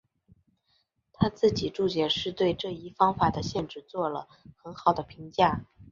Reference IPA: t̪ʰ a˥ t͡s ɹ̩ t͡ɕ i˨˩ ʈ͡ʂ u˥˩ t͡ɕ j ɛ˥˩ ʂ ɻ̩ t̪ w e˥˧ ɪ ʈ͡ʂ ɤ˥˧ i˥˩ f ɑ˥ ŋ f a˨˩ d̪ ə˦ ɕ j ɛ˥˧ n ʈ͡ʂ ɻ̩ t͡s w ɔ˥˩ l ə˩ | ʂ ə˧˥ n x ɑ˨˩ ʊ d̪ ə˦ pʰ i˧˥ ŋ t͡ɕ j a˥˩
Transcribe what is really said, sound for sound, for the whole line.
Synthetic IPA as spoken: t̪ʰ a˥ t͡s ɹ̩ t͡ɕ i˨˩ ʈ͡ʂ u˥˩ t͡ɕ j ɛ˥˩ ʂ ɻ̩ t̪ w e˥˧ ɪ ʈ͡ʂ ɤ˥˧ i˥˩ f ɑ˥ ŋ f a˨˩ d̪ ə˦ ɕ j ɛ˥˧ n ʈ͡ʂ ɻ̩ t͡s w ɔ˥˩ l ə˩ | x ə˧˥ n x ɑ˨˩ ʊ d̪ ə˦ pʰ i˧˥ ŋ t͡ɕ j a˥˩